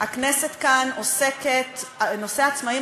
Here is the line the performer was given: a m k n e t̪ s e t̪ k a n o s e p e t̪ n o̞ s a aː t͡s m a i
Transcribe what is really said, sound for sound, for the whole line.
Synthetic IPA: a k n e s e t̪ k a n o s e k e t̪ n o̞ s e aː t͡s m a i